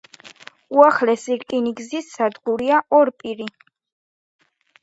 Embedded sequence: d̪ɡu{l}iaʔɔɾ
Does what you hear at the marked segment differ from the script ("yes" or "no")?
yes